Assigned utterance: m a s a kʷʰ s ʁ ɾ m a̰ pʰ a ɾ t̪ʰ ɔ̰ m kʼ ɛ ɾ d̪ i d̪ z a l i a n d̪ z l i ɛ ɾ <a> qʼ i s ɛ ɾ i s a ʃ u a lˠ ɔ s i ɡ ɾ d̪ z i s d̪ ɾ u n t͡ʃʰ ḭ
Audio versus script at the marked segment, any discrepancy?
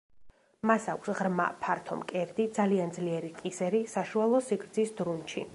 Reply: yes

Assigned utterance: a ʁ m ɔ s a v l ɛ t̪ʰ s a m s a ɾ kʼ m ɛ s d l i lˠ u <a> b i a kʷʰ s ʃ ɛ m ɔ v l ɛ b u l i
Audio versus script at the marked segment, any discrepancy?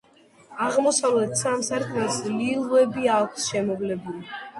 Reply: yes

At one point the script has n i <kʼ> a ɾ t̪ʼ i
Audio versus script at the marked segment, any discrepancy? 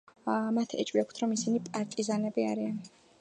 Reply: yes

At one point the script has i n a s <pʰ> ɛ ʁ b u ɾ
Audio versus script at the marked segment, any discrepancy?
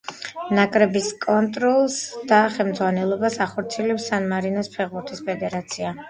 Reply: no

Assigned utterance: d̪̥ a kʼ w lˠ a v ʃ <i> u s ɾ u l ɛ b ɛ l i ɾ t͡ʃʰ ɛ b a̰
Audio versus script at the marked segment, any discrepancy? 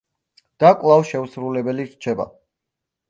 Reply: yes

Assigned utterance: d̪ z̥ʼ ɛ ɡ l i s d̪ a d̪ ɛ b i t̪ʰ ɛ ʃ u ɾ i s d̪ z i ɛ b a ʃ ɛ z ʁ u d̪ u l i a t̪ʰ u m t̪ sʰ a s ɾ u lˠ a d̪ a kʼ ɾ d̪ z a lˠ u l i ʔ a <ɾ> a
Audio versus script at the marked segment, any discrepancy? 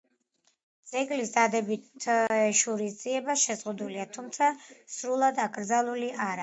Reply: no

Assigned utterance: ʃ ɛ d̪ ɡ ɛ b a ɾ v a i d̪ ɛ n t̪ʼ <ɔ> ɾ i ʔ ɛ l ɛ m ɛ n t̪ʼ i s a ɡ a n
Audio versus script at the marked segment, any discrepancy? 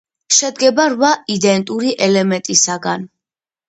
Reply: yes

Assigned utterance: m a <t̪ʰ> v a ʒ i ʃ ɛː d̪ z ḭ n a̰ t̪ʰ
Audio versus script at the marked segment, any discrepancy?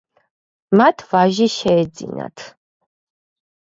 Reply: no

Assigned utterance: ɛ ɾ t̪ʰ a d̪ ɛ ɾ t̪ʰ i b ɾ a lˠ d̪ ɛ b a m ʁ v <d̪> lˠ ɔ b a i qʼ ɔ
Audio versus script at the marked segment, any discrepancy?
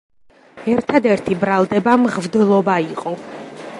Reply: no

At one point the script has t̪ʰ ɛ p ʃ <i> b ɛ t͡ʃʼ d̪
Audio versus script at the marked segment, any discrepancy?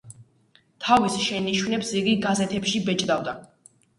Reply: no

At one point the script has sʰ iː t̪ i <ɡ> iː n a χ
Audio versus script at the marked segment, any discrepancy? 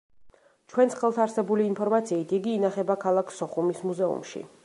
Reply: no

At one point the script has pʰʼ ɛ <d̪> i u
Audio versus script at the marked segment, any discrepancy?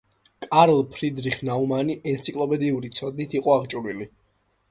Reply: no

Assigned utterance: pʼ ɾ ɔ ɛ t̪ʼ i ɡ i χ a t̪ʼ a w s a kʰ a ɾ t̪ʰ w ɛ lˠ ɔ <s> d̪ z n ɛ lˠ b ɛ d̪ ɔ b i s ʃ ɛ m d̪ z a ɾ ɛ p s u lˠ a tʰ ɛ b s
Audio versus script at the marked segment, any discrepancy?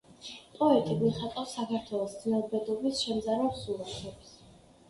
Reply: no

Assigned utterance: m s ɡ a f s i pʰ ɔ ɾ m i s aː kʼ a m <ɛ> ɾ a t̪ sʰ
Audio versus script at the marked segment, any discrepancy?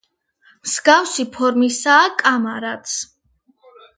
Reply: yes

